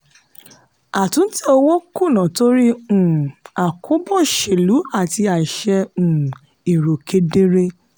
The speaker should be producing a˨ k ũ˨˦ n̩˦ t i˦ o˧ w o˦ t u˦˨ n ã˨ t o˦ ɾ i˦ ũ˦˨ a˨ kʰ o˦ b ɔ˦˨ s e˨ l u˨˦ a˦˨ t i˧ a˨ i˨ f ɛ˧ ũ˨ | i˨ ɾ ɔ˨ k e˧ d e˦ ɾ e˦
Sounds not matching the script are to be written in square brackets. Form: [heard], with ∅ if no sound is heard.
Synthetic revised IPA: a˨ [t] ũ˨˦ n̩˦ t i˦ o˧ w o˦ [k] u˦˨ n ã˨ t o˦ ɾ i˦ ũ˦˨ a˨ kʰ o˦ b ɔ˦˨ [ʃ] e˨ l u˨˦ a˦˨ t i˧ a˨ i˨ [ʃ] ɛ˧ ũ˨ | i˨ ɾ [o˨] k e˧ d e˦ ɾ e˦

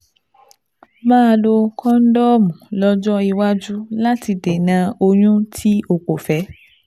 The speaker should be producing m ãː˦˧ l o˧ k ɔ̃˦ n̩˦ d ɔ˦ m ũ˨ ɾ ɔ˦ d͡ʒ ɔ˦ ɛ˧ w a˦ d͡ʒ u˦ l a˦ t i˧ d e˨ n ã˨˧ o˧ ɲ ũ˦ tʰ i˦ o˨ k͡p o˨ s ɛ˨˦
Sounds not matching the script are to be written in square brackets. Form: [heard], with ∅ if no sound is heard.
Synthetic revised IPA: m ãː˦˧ l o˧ k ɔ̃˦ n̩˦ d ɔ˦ m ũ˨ [l] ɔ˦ d͡ʒ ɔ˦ [i˧] w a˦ d͡ʒ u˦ l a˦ t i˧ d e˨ n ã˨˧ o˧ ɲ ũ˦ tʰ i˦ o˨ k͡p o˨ [f] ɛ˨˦

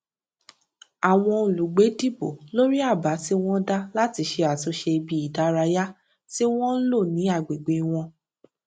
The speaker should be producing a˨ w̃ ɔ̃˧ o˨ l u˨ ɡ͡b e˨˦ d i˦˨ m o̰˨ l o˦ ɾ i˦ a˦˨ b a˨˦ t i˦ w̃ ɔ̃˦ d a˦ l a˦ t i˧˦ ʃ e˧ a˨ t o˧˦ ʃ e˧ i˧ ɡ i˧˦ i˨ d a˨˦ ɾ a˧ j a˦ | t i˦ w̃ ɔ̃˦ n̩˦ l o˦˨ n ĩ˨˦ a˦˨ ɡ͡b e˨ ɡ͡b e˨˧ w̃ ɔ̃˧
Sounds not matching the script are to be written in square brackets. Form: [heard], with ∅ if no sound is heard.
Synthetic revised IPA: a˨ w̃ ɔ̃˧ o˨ l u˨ ɡ͡b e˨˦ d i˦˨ [b] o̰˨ l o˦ ɾ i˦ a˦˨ b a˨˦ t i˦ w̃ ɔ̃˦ d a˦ l a˦ t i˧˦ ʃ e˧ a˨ t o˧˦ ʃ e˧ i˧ [b] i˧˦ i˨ d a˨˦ ɾ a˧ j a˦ | t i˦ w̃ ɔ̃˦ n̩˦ l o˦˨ n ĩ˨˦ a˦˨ ɡ͡b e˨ ɡ͡b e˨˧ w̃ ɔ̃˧

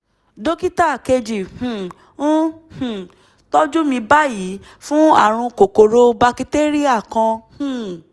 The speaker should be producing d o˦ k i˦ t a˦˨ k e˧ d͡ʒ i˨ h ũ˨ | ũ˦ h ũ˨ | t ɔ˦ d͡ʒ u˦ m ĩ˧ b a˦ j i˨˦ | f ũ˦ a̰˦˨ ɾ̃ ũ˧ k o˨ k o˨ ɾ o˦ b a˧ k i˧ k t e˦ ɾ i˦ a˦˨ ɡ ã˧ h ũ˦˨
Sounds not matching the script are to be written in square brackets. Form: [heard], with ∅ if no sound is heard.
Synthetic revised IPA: d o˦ k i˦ t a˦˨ k e˧ d͡ʒ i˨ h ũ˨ | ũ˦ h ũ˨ | t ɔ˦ d͡ʒ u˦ m ĩ˧ b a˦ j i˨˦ | f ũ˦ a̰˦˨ ɾ̃ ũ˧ k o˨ k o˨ ɾ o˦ b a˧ k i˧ [∅] t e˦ ɾ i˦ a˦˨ [k] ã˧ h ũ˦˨

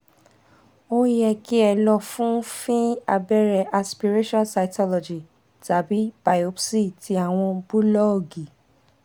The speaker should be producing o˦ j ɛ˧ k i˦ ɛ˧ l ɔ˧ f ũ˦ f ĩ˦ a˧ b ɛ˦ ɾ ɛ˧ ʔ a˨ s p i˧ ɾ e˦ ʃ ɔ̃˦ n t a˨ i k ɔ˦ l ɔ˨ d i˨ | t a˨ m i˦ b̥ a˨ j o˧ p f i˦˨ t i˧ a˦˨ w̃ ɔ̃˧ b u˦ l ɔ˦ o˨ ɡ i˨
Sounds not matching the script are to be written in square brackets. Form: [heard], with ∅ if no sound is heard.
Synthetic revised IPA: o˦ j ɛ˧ k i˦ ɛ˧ l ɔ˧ f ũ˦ f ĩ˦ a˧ b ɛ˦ ɾ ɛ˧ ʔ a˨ s p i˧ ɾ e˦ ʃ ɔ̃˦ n [s] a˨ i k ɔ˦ l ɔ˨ [d͡ʒ] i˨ | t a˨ [b] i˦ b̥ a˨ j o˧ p [s] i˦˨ t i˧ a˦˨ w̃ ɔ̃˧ b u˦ l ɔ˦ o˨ ɡ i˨

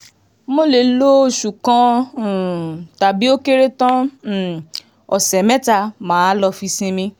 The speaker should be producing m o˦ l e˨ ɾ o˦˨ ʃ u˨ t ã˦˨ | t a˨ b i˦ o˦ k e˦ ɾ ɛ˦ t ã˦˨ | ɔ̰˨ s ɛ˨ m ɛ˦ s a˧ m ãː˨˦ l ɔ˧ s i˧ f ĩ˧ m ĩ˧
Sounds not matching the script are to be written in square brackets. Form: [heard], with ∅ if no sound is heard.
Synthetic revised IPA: m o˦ l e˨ [l] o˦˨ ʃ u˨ [k] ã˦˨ | t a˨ b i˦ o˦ k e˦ ɾ [e˦] t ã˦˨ | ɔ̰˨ s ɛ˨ m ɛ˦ [t] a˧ m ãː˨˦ l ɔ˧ [f] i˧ [s] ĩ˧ m ĩ˧

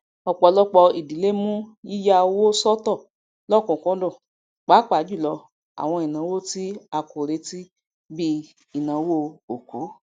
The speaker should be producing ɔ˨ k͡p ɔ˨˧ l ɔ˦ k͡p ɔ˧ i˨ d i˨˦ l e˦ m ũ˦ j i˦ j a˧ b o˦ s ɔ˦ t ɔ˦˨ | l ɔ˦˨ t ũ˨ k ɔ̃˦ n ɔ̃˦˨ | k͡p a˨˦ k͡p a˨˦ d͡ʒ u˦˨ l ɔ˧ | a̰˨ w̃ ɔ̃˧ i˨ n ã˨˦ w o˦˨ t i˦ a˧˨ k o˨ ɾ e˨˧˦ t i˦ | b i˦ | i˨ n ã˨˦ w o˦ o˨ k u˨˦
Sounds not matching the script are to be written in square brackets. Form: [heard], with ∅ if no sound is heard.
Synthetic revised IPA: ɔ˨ k͡p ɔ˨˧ l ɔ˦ k͡p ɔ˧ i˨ d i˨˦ l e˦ m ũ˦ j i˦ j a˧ [w] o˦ s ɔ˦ t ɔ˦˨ | l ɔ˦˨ [k] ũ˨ k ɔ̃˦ [d] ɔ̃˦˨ | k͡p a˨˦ k͡p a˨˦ d͡ʒ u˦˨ l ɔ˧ | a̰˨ w̃ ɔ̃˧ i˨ n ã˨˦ w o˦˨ t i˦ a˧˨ k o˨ ɾ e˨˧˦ t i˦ | b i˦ | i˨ n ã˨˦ w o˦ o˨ k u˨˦

